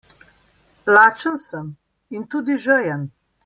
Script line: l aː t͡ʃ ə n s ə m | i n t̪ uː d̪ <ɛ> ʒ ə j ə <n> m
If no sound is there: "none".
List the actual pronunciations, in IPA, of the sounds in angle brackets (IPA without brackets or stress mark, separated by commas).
i, none